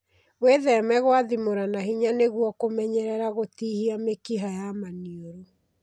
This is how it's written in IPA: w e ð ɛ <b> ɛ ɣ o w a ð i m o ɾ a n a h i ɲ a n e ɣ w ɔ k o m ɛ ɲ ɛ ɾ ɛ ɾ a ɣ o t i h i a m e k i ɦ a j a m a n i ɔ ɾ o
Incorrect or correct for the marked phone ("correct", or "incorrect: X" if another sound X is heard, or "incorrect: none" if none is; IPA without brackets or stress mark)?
incorrect: m